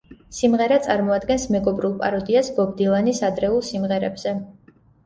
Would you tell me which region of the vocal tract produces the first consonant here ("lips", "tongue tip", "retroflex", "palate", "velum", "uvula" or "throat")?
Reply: tongue tip